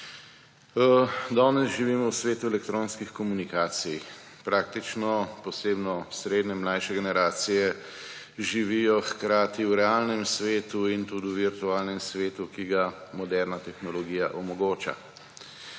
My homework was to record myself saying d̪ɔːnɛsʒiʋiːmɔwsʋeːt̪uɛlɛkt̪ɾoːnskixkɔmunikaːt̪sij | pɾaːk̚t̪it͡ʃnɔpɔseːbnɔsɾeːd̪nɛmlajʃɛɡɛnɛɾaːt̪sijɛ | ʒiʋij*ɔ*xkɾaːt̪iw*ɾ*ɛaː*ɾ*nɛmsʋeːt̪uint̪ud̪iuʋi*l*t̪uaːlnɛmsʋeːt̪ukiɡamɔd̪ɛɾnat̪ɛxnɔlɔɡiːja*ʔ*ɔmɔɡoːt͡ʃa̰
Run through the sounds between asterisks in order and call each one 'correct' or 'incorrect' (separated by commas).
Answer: correct, correct, incorrect, incorrect, correct